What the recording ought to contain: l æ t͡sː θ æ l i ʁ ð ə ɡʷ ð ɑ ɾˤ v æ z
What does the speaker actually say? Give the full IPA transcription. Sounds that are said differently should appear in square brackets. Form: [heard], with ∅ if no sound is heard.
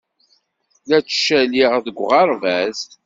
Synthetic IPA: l æ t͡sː [ʃ] æ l i ʁ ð ə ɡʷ [ʁ] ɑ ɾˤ v æ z